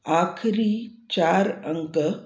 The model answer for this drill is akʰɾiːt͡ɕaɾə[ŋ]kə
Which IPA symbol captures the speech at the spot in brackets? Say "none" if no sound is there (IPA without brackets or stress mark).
ŋ